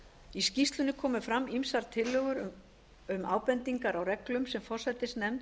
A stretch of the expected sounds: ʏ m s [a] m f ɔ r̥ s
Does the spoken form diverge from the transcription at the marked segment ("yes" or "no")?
yes